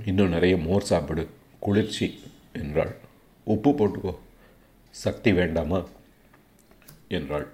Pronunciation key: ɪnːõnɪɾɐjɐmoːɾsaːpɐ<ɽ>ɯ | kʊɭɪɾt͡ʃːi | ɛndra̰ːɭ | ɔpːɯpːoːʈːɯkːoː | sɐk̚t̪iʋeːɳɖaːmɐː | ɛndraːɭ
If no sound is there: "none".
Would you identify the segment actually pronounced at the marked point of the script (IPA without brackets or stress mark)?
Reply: ɽ